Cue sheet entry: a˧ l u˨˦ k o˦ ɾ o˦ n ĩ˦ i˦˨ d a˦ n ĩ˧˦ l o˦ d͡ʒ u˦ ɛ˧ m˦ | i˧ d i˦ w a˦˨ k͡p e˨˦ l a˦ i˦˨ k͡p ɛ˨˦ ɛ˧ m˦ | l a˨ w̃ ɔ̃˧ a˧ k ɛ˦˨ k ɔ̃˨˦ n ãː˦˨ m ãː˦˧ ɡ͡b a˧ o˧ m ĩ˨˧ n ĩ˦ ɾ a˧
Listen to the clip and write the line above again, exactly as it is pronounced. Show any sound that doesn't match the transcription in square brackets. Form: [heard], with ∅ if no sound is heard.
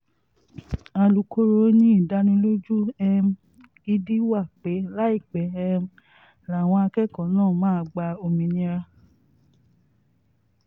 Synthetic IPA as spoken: a˧ l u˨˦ k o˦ ɾ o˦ n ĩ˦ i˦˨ d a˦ n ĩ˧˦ l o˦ d͡ʒ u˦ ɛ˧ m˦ | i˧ d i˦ w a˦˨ k͡p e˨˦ l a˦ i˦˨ k͡p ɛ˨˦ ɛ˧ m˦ | l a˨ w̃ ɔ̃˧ a˧ k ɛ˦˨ k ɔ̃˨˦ n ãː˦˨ m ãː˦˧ ɡ͡b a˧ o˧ m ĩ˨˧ n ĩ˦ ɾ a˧